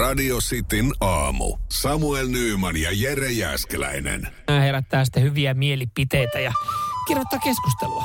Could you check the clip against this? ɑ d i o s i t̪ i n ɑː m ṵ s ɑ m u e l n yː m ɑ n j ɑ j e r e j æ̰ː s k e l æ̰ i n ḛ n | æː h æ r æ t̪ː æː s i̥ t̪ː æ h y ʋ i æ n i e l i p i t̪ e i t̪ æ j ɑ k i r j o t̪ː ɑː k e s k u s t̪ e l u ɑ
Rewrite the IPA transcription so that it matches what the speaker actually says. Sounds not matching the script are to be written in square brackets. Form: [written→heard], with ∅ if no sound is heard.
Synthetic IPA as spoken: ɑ d i o s i t̪ i n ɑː m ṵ s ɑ m u e l n yː m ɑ n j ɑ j e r e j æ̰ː s k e l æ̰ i n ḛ n | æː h [æ→e] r æ t̪ː æː s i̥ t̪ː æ h y ʋ i æ [n→m] i e l i p i t̪ e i t̪ æ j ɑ k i r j o t̪ː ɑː k e s k u s t̪ e l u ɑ